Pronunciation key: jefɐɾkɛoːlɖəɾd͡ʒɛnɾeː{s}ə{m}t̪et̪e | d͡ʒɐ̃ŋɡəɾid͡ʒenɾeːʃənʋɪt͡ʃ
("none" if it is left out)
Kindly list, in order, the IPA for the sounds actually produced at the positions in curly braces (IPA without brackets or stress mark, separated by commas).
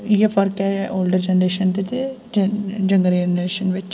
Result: ʃ, n